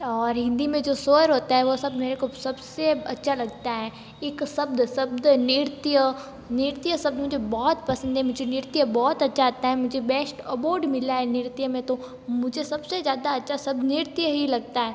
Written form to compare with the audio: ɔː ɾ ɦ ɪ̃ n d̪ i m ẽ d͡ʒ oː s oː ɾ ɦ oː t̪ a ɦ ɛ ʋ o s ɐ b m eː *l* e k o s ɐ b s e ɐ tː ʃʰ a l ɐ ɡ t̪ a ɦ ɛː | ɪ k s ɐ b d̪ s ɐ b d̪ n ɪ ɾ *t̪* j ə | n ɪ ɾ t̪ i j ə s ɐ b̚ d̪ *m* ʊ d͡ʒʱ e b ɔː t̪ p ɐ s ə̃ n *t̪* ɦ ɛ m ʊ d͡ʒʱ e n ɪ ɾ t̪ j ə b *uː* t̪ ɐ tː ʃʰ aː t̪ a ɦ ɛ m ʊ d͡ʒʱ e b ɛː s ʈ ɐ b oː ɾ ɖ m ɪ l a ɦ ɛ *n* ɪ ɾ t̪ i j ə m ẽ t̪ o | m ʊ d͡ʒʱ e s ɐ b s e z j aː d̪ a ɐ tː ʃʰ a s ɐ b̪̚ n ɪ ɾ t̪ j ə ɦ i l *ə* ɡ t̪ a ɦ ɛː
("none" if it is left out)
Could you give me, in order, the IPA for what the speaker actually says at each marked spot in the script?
ɾ, t̪, m, d̪, ɔː, n, ɐ

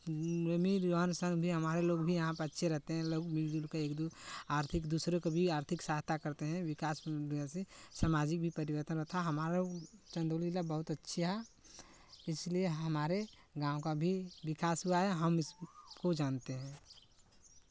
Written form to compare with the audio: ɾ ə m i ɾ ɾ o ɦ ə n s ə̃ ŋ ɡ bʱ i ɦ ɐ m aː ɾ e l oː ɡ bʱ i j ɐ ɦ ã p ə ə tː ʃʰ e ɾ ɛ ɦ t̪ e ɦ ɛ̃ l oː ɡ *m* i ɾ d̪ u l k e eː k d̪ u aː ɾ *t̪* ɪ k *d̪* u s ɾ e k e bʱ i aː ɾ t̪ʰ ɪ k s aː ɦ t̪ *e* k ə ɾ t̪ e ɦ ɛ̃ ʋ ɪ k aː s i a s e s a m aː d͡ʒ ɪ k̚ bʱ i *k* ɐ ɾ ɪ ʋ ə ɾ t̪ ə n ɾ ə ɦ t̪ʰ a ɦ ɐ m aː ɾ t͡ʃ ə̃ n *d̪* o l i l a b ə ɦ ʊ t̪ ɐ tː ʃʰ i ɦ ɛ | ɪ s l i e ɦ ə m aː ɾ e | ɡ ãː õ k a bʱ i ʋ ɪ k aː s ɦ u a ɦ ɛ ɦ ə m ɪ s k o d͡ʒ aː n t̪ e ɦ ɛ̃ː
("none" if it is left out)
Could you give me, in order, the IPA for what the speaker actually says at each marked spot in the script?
m, t̪ʰ, d̪, a, p, d̪

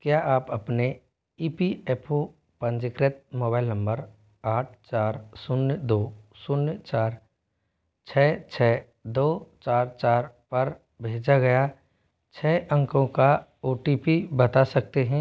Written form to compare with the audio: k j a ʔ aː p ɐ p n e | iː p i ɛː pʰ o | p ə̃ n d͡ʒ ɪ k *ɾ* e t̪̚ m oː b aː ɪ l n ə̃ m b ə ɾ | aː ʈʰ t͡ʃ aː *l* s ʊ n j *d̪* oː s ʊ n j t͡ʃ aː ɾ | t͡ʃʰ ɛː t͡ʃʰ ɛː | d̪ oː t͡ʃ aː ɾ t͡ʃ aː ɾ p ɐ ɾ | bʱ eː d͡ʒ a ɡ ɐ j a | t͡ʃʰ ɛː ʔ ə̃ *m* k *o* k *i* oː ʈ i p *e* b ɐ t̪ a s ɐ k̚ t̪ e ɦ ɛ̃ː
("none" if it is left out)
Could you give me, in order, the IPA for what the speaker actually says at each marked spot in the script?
ɾ, ɾ, d̪, ŋ, õ, a, i

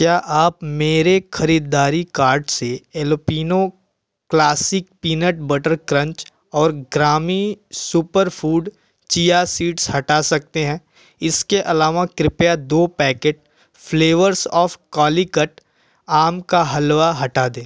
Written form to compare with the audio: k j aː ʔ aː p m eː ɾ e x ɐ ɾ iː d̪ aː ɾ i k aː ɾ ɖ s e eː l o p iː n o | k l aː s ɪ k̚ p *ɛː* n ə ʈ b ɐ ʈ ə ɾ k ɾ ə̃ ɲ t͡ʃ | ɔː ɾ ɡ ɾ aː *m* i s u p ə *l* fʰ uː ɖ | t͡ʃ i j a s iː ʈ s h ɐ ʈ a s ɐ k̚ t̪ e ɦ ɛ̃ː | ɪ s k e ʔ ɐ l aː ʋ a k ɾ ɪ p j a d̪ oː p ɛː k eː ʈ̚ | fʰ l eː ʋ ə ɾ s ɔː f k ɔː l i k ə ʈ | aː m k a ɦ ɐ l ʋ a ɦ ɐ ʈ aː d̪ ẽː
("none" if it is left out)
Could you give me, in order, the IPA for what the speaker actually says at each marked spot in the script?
iː, m, ɾ

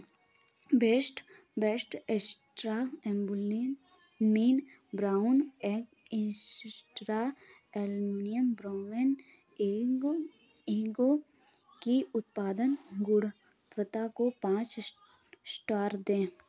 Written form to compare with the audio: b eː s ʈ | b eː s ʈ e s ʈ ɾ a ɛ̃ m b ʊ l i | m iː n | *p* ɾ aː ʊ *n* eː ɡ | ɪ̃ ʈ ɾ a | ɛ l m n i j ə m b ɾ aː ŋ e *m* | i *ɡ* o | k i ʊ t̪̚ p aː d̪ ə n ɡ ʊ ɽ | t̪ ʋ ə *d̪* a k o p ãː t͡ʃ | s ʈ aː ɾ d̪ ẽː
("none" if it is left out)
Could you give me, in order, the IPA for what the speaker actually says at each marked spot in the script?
b, n, n, ɡ, t̪

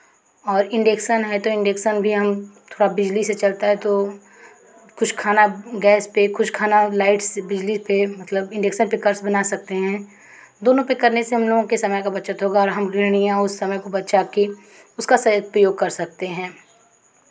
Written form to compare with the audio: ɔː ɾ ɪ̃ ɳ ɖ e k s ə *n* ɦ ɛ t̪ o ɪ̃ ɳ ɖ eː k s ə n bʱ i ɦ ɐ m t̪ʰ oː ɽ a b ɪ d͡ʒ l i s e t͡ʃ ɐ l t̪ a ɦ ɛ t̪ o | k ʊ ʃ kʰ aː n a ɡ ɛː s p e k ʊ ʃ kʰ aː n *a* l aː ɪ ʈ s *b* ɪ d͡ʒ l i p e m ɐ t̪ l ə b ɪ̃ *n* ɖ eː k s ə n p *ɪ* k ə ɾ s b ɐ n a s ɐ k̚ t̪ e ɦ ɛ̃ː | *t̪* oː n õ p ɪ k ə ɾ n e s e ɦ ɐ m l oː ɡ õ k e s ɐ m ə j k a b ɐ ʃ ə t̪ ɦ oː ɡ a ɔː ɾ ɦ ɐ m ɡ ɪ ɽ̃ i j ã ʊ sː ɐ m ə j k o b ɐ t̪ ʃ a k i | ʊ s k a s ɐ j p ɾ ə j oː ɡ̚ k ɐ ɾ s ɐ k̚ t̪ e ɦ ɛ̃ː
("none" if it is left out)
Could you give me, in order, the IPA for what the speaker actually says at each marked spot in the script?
n, a, b, ɳ, ɪ, d̪

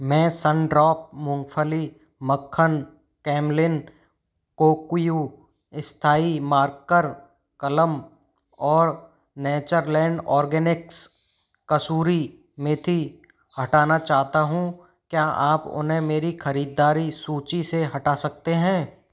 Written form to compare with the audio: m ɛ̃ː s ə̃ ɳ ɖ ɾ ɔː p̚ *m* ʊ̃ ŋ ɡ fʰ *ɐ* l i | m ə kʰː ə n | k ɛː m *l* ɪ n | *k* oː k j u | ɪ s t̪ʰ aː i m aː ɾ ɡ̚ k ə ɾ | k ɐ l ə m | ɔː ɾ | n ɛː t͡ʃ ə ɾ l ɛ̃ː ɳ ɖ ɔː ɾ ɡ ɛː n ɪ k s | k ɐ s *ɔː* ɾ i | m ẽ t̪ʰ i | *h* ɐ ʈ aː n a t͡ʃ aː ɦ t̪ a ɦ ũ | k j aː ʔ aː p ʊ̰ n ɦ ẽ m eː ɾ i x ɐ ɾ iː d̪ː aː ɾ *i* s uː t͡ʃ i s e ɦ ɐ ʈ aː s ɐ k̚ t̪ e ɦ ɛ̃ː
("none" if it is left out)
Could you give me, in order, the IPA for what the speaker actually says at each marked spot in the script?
m, ə, l, k, uː, h, i

